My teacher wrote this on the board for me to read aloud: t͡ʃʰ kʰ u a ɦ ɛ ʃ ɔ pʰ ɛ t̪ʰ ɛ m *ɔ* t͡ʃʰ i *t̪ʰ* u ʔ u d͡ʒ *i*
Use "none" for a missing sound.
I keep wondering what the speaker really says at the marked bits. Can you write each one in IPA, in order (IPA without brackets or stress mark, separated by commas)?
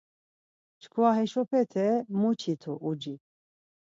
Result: u, t̪ʰ, i